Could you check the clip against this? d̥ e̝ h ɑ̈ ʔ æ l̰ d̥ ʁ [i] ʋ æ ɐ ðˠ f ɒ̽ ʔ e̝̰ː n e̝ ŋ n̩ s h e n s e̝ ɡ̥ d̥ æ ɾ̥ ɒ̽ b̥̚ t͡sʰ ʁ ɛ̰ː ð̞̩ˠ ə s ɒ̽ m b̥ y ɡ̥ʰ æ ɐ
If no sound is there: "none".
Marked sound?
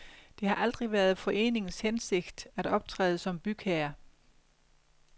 i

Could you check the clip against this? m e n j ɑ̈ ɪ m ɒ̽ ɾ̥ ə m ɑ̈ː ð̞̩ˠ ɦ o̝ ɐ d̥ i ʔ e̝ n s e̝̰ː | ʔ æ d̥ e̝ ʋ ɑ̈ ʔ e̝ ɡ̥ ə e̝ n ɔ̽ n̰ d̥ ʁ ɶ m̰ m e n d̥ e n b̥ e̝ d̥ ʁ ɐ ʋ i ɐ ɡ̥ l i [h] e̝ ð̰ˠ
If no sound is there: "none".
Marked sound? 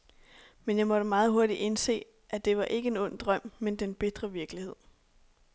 h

